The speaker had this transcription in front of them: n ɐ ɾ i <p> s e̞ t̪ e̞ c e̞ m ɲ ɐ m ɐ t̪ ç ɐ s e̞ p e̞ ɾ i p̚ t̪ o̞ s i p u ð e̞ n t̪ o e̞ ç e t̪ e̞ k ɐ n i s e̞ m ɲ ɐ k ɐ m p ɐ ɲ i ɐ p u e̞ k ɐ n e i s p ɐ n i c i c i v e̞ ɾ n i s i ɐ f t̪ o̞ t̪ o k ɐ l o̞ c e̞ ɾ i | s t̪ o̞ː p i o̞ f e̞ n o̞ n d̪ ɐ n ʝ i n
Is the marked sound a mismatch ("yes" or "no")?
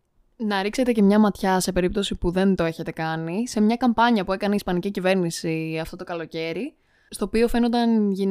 yes